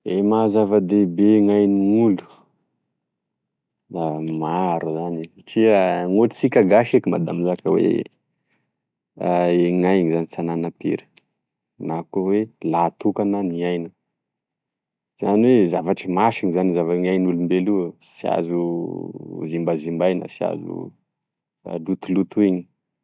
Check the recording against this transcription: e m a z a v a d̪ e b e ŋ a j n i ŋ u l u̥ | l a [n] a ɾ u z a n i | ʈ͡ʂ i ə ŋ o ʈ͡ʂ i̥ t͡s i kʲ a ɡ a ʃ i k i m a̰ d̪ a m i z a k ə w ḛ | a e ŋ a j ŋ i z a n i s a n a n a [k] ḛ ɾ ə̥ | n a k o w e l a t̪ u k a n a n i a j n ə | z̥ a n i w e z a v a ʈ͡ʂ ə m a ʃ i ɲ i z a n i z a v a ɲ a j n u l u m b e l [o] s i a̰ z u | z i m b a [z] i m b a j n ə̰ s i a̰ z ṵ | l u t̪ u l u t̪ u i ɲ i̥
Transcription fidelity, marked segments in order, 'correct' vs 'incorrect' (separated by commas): incorrect, incorrect, incorrect, correct